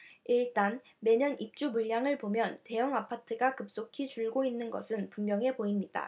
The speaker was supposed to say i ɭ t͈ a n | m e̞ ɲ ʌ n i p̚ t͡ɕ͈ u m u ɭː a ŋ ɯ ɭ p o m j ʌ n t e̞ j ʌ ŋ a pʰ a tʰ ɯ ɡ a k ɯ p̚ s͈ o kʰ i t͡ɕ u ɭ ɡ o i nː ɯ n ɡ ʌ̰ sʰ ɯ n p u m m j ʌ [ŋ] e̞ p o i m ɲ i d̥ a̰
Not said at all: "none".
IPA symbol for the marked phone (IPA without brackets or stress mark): ŋ